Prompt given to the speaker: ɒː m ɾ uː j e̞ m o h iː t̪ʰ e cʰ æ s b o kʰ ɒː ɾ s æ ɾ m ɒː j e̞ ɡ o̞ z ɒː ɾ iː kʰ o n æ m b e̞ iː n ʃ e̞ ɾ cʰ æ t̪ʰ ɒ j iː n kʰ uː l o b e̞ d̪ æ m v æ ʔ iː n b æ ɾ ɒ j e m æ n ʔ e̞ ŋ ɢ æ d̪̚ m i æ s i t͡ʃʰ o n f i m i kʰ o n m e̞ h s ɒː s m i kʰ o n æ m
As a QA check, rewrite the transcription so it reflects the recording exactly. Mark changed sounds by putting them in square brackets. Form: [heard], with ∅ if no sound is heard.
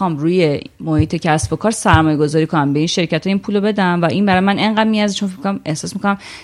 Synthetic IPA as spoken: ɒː m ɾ uː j e̞ m o h iː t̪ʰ e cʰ æ s b o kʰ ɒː ɾ s æ ɾ m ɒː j e̞ ɡ o̞ z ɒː ɾ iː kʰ o n æ m b e̞ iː n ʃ e̞ ɾ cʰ æ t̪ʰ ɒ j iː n [pʰ] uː l o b e̞ d̪ æ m v æ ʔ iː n b æ ɾ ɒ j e m æ n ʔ e̞ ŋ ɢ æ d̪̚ m i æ [z] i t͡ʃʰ o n f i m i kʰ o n m e̞ h s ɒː s m i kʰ o n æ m